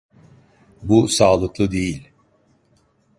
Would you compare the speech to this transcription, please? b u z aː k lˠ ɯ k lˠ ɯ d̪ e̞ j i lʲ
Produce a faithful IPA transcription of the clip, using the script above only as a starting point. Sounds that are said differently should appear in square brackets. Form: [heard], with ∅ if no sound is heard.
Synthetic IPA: b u [s] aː [∅] lˠ ɯ k lˠ ɯ d̪ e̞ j i lʲ